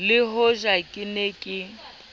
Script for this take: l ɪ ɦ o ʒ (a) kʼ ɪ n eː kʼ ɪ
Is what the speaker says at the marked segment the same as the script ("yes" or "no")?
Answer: yes